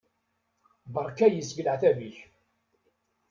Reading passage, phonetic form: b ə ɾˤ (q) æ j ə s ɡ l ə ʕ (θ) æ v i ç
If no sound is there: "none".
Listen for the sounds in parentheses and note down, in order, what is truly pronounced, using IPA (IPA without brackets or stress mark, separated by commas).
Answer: k, θ